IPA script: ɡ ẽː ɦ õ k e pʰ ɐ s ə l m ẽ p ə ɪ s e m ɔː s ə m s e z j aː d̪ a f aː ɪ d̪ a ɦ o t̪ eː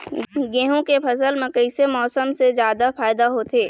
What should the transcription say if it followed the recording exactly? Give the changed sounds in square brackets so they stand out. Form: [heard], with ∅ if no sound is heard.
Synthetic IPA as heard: ɡ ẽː ɦ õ k e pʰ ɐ s ə l m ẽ [k] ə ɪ s e m ɔː s ə m s e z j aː d̪ a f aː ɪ d̪ a ɦ o t̪ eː